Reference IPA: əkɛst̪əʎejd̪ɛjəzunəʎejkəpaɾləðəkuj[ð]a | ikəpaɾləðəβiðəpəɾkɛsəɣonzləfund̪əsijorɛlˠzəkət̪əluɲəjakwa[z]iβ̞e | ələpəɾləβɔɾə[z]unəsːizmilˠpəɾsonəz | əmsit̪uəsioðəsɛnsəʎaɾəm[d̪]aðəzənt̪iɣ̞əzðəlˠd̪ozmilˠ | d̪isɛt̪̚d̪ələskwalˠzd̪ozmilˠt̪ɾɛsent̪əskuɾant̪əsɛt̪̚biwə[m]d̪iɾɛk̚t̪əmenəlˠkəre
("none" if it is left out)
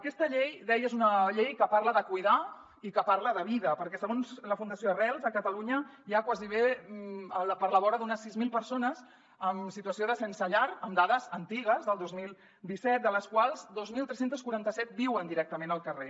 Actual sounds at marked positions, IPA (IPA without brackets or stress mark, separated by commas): ð, z, ð, d̪, n